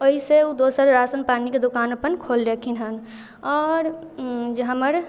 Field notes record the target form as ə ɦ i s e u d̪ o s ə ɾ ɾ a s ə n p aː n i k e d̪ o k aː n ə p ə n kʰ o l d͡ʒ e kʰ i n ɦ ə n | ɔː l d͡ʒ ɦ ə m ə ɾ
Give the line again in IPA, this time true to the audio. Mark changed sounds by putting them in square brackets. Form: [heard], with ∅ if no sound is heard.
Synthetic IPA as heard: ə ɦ i s e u d̪ o s ə ɾ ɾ a s ə n p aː n i k e d̪ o k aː n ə p ə n kʰ o l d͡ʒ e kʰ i n ɦ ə n | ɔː [ɾ] d͡ʒ ɦ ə m ə ɾ